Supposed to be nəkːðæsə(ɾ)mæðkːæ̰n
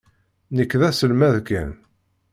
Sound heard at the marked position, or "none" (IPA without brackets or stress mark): l